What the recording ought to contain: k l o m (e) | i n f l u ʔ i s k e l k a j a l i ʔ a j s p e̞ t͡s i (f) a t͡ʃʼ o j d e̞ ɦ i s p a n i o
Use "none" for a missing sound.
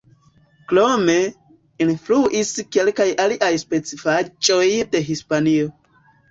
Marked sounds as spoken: e, f

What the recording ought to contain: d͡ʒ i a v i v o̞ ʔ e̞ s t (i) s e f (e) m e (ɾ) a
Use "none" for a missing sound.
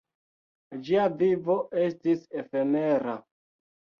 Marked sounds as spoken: i, e, ɾ

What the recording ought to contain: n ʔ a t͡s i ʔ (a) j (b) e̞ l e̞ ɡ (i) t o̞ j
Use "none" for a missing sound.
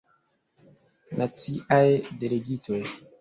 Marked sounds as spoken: a, d, i

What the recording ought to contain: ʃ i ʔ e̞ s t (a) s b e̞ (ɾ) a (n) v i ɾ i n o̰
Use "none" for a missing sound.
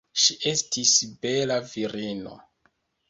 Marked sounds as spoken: i, l, none

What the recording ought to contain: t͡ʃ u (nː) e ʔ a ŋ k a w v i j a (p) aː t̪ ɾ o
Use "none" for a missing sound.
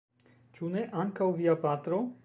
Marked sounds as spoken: n, p

